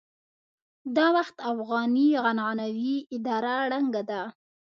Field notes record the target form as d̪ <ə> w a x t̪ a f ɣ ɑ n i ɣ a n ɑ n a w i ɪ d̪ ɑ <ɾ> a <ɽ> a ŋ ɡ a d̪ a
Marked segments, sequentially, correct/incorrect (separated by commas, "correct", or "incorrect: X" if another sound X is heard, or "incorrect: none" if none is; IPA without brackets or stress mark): incorrect: ɑ, correct, correct